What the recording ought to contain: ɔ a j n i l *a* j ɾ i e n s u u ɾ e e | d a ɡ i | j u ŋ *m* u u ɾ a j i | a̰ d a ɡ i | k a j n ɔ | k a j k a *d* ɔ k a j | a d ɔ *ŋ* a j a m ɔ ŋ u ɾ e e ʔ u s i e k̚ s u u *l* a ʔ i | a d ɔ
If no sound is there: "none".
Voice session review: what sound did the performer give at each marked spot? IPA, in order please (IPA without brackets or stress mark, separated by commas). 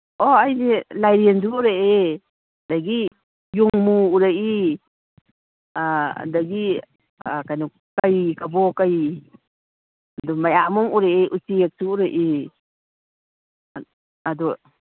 a, m, b, m, ɾ